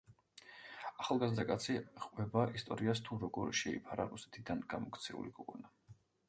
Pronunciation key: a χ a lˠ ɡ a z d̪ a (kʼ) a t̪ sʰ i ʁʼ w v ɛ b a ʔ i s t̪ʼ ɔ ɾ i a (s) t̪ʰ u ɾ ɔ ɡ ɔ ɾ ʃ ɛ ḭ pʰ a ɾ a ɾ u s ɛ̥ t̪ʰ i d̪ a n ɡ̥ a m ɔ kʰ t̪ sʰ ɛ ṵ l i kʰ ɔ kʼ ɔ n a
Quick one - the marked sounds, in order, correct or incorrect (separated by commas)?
correct, correct